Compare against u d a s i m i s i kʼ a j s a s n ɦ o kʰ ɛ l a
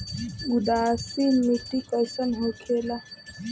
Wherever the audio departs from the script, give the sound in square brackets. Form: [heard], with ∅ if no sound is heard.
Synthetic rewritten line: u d a s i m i [t] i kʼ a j s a [∅] n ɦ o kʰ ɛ l a